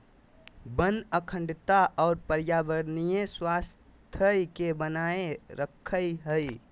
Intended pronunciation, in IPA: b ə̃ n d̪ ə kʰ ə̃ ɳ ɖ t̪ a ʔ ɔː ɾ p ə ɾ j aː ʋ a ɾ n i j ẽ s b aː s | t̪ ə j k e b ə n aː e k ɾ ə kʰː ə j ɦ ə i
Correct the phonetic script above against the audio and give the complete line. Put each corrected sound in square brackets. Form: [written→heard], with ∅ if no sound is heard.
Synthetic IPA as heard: b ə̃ n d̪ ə kʰ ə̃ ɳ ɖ t̪ a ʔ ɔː ɾ p ə ɾ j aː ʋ [a→ə] ɾ n i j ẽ s [b→w] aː s | [t̪→t̪ʰ] ə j k e b ə n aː e [k→∅] ɾ ə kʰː ə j ɦ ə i